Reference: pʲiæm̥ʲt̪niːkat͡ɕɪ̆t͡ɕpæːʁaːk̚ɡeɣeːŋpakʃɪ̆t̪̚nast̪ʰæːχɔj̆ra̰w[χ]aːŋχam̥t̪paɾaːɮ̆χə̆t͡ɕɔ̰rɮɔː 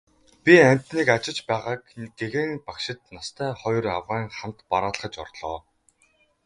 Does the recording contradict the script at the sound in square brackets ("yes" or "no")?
yes